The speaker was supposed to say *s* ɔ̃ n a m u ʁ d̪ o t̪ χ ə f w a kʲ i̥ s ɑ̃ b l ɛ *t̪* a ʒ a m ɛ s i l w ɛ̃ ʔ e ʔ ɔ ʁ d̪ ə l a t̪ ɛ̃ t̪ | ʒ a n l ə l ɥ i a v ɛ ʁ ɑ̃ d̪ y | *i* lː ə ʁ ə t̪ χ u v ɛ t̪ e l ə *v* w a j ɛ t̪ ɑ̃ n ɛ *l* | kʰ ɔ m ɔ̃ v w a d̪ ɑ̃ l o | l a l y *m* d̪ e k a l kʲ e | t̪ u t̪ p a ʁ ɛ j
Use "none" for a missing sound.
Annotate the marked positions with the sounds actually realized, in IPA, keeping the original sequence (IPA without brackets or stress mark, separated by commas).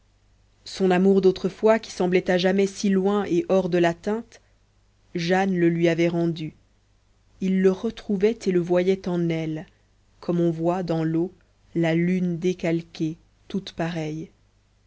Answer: s, t̪, i, v, l, n